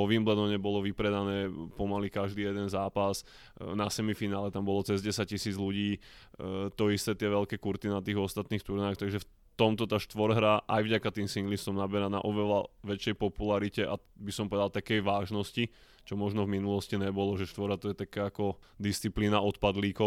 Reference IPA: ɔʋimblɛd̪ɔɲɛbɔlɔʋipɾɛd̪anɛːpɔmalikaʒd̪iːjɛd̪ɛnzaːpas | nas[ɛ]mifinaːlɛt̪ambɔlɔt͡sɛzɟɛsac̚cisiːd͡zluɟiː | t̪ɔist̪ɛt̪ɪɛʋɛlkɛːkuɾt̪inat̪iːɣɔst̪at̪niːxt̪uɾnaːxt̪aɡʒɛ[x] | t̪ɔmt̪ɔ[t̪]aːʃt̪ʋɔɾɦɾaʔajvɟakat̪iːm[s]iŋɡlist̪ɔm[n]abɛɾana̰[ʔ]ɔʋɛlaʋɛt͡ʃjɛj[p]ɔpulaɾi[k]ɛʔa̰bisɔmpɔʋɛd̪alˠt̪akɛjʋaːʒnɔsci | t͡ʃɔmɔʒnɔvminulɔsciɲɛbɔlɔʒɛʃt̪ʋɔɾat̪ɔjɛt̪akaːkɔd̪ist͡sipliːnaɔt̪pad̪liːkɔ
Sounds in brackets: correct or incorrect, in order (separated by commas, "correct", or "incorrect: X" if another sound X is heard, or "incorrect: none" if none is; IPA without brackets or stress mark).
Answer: correct, incorrect: f, correct, correct, correct, correct, correct, incorrect: c